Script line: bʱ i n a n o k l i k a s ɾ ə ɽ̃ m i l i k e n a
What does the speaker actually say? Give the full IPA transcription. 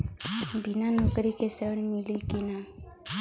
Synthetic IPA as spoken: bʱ i n a n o k ɾ i k e s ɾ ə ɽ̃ m i l i k i n a

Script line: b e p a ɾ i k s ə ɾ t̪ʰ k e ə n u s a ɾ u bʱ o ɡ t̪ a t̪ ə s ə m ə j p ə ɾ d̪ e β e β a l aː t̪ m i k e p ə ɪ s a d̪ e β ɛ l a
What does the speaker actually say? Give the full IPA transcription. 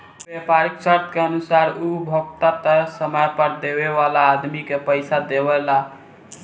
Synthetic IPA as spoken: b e p a ɾ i k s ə ɾ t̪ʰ k e ə n u s a ɾ u bʱ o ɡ t̪ a t̪ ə s ə m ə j p ə ɾ d̪ e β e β a l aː d̪ m i k e p ə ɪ s a d̪ e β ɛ l a

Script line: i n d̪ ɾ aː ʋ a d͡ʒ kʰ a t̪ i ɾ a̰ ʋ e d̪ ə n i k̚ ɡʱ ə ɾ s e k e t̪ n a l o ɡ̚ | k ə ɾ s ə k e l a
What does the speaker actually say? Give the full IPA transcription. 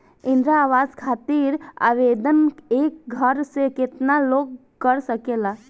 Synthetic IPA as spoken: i n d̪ ɾ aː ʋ a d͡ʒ kʰ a t̪ i ɾ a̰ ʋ e d̪ ə n e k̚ ɡʱ ə ɾ s e k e t̪ n a l o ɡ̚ | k ə ɾ s ə k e l a

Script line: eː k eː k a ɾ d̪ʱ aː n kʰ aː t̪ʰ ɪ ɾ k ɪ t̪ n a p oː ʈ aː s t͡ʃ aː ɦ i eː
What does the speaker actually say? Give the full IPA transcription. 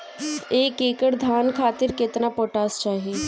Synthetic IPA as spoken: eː k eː k ə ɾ d̪ʱ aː n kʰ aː t̪ ɪ ɾ k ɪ t̪ n a p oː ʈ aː s t͡ʃ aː ɦ i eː

